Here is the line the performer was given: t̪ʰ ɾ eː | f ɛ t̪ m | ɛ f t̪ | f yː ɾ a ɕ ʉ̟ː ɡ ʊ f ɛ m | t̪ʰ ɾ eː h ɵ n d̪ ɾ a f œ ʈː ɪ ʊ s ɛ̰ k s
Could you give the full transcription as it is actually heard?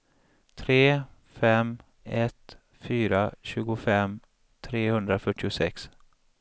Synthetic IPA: t̪ʰ ɾ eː | f ɛ m | ɛ t̪ | f yː ɾ a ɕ ʉ̟ː ɡ ʊ f ɛ m | t̪ʰ ɾ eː h ɵ n d̪ ɾ a f œ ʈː ɪ ʊ s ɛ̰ k s